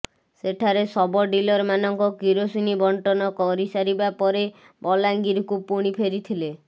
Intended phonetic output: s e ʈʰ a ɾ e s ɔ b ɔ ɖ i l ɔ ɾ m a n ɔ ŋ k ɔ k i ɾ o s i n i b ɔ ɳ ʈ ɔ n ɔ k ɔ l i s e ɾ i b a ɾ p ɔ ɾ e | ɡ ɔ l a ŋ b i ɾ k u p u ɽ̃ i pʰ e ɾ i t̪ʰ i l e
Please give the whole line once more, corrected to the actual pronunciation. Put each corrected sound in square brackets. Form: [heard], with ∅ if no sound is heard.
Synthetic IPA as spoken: s e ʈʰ a ɾ e s ɔ b ɔ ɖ i l ɔ ɾ m a n ɔ ŋ k ɔ k i ɾ o s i n i b ɔ ɳ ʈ ɔ n ɔ k ɔ [ɾ] i s [a] ɾ i b a [∅] p ɔ ɾ e | [b] ɔ l a ŋ [ɡ] i ɾ k u p u ɽ̃ i pʰ e ɾ i t̪ʰ i l e

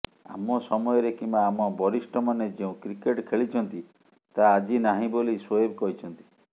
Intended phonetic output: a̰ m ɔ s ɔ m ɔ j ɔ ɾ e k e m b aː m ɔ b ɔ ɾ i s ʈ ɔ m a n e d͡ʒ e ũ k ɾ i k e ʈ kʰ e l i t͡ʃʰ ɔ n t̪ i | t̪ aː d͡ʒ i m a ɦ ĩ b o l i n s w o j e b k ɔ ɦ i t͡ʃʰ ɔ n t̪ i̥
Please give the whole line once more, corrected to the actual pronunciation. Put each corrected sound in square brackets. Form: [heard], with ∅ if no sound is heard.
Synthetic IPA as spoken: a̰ m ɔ s ɔ m ɔ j ɔ ɾ e k [i] m b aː m ɔ b ɔ ɾ i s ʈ ɔ m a n e d͡ʒ e ũ k ɾ i k e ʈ kʰ e [ɭ] i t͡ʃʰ ɔ n t̪ i | t̪ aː d͡ʒ i [n] a ɦ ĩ b o l i [∅] s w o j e b k ɔ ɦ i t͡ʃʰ ɔ n t̪ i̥

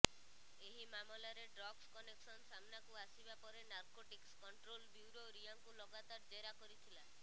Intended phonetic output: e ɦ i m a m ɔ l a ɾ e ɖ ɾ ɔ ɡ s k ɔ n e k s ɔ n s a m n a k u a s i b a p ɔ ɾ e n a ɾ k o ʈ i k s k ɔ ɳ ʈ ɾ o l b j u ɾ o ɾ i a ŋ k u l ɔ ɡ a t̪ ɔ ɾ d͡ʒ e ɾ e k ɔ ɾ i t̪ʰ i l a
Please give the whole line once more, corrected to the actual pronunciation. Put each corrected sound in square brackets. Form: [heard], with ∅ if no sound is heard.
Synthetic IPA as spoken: e ɦ i m a m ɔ l a ɾ e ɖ ɾ ɔ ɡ s k ɔ n e k s ɔ n s a m n a k u a s i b a p ɔ ɾ e n a ɾ k o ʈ i k s k ɔ ɳ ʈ ɾ o l b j u ɾ o ɾ i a ŋ k u l ɔ ɡ a t̪ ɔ ɾ d͡ʒ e ɾ [a] k ɔ ɾ i t̪ʰ i l a

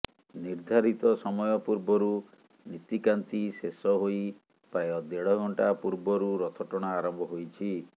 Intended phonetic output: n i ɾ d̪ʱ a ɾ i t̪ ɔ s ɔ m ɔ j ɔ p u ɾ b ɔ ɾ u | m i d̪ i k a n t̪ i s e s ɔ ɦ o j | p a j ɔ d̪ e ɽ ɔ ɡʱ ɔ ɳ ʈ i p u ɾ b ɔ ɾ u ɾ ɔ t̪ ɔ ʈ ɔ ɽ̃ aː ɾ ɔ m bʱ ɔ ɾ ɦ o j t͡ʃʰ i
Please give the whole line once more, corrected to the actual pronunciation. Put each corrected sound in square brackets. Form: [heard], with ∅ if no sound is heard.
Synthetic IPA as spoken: n i ɾ d̪ʱ a ɾ i t̪ ɔ s ɔ m ɔ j ɔ p u ɾ b ɔ ɾ u | [n] i [t̪] i k a n t̪ i s e s ɔ ɦ o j | p a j ɔ d̪ e ɽ ɔ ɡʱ ɔ ɳ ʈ [a] p u ɾ b ɔ ɾ u ɾ ɔ [t̪ʰ] ɔ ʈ ɔ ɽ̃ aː ɾ ɔ m bʱ ɔ [∅] ɦ o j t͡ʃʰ i

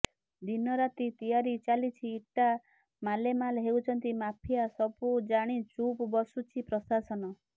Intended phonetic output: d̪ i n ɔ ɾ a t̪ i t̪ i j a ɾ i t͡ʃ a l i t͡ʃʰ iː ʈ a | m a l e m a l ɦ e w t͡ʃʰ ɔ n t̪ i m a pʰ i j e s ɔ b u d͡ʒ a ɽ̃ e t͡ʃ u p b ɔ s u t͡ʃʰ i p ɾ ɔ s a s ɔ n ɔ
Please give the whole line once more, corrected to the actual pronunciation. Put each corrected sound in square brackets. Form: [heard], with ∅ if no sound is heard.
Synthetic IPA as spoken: d̪ i n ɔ ɾ a t̪ i t̪ i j a ɾ i t͡ʃ a l i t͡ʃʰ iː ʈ a | m a l e m a l ɦ e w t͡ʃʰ ɔ n t̪ i m a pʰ i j [a] s ɔ b u d͡ʒ a ɽ̃ [i] t͡ʃ u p b ɔ s u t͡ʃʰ i p ɾ ɔ s a s ɔ n ɔ

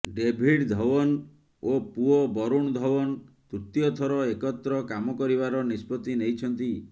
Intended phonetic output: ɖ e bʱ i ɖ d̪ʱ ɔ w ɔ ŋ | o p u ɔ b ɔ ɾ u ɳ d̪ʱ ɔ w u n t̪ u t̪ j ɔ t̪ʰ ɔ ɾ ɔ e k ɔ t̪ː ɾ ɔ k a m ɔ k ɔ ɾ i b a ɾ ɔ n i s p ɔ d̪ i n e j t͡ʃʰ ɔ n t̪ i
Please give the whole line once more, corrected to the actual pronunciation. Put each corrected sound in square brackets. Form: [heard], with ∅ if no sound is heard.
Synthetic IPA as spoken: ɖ e bʱ i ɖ d̪ʱ ɔ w ɔ [n] | o p u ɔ b ɔ ɾ u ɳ d̪ʱ ɔ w [ɔ] n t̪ u t̪ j ɔ t̪ʰ ɔ ɾ ɔ e k ɔ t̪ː ɾ ɔ k a m ɔ k ɔ ɾ i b a ɾ ɔ n i s p ɔ [t̪] i n e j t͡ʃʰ ɔ n t̪ i

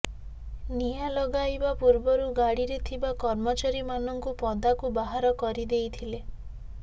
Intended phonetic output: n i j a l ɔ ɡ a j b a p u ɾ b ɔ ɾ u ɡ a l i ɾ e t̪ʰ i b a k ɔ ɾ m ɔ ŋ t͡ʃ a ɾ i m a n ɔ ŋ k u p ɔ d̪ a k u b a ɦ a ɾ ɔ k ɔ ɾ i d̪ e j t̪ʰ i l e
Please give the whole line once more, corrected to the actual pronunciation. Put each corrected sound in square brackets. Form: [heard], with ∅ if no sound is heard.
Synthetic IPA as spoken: n i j a l ɔ ɡ a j b a p u ɾ b ɔ ɾ u ɡ a [ɽ] i ɾ e t̪ʰ i b a k ɔ ɾ m ɔ [∅] t͡ʃ a ɾ i m a n ɔ ŋ k u p ɔ d̪ a k u b a ɦ a ɾ ɔ k ɔ ɾ i d̪ e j t̪ʰ i l e

